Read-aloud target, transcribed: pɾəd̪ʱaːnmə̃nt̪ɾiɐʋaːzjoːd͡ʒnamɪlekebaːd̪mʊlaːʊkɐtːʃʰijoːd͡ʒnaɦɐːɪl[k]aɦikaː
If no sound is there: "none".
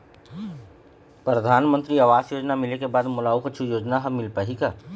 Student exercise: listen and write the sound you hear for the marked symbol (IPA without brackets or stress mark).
p